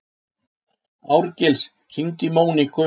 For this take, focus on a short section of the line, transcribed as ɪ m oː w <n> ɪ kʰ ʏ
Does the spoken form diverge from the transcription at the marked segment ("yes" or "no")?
no